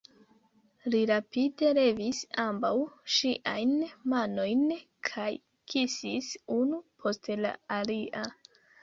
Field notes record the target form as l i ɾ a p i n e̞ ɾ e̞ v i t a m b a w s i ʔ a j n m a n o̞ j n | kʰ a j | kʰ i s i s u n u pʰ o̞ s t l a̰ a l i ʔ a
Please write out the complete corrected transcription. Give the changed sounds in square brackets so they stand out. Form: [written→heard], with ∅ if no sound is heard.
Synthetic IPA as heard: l i ɾ a p i [n→d] e̞ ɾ e̞ v i [t→s] a m b a w [s→ʃ] i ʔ a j n m a n o̞ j n | kʰ a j | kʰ i s i s u n u pʰ o̞ s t l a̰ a l i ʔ a